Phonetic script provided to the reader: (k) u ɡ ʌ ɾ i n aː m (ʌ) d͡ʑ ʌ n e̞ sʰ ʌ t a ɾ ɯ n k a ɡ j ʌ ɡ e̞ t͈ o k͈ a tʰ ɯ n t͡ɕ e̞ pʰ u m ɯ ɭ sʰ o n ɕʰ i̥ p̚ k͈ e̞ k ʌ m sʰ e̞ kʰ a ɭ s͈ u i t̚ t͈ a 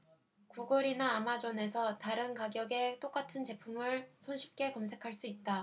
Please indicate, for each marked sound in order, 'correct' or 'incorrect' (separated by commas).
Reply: correct, incorrect